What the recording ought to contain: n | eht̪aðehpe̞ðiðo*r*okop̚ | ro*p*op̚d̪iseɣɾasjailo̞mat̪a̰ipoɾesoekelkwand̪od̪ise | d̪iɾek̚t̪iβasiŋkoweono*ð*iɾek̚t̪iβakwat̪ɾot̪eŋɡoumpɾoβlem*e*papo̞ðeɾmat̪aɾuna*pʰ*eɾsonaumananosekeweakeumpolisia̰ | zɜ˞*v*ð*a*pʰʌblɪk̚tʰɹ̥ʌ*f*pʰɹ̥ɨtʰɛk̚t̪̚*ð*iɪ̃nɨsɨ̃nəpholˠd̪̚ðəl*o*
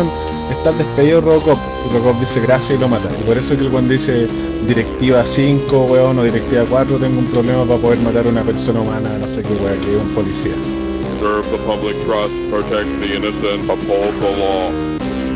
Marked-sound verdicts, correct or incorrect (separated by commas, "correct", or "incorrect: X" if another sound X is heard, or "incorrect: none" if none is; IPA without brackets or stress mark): correct, incorrect: k, correct, incorrect: a, incorrect: p, correct, incorrect: ə, incorrect: s, correct, incorrect: ɔ